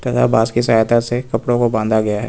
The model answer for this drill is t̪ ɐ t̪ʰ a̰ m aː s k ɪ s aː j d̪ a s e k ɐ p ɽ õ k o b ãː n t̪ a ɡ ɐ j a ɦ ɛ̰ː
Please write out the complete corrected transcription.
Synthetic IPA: t̪ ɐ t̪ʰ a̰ b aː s k i s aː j t̪ a s e k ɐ p ɽ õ k o b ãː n d̪ a ɡ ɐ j a ɦ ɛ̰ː